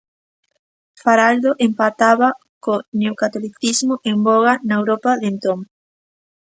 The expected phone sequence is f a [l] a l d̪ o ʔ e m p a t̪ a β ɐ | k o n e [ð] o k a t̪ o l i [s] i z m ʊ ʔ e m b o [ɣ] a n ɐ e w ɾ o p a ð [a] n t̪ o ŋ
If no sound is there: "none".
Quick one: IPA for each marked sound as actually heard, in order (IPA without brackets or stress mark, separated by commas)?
ɾ, none, θ, ɣ, e